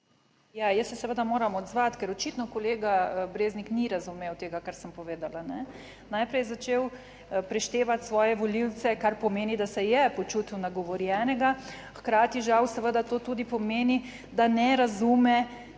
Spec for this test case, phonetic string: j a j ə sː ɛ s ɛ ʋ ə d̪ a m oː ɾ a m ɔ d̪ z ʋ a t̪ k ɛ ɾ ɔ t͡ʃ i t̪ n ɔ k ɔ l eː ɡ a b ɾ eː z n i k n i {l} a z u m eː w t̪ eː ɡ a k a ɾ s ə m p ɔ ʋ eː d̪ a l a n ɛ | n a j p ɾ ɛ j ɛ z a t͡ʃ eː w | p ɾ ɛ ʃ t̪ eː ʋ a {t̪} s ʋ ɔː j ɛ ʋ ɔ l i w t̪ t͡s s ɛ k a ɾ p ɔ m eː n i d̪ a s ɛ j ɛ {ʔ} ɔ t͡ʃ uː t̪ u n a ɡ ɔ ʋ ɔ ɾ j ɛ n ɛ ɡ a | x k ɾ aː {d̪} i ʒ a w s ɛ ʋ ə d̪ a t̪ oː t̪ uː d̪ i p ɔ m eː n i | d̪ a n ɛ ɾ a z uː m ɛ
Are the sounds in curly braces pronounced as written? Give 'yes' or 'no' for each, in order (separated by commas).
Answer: no, yes, no, no